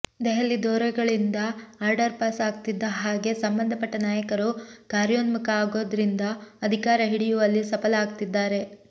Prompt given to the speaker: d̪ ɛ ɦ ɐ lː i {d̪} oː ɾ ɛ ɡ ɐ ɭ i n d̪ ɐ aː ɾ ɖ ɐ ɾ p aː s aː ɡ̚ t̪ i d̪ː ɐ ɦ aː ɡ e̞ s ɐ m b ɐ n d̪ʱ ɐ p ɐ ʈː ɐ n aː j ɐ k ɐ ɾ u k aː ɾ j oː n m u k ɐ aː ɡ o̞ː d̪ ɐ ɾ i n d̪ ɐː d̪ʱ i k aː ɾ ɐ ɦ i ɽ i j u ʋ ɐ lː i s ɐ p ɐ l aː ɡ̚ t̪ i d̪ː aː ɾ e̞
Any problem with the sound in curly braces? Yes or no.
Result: no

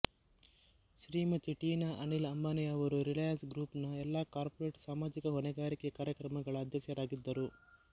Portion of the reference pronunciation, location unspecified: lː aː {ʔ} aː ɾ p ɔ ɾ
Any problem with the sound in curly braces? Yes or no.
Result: yes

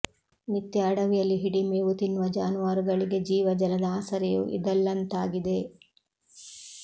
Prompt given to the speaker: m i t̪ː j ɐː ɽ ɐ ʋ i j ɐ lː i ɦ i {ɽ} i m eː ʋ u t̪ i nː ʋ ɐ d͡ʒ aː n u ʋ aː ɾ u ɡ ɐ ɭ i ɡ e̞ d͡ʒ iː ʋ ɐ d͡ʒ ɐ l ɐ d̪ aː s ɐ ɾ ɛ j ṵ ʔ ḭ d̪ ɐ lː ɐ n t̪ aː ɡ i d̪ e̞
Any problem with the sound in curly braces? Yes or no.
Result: no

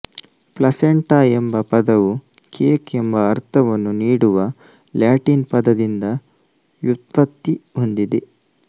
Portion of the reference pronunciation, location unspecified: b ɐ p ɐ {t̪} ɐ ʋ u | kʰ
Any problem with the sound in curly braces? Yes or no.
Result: yes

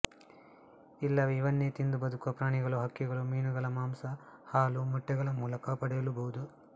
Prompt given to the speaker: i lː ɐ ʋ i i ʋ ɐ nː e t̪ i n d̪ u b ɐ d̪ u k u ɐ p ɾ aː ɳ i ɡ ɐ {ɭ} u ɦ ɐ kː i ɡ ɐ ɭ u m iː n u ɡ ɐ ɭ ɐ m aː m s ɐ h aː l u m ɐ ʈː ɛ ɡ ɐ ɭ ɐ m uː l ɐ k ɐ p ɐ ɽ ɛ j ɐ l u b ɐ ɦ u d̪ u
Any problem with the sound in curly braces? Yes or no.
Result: no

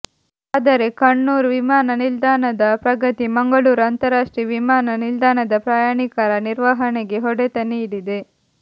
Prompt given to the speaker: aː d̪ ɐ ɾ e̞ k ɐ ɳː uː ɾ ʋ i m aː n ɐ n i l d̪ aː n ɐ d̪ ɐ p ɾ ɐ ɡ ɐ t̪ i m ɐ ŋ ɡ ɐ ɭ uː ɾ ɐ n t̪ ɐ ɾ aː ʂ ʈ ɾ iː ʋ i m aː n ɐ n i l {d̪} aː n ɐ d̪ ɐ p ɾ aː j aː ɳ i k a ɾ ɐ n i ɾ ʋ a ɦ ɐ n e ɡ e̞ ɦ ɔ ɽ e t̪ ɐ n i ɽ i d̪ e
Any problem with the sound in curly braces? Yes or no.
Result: no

